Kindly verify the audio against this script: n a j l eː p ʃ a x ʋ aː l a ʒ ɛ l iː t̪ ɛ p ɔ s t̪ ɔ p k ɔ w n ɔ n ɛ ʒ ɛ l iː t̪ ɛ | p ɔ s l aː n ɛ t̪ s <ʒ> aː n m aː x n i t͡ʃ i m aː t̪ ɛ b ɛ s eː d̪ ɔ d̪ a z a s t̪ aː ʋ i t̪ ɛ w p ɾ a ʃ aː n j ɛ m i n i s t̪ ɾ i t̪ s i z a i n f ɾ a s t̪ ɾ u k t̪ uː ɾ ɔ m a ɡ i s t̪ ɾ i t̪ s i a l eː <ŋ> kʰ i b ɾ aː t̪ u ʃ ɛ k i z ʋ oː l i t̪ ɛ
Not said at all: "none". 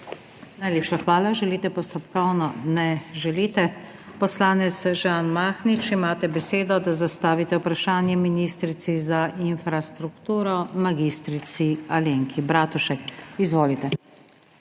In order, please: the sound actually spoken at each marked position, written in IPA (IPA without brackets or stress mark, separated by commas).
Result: ʒ, ŋ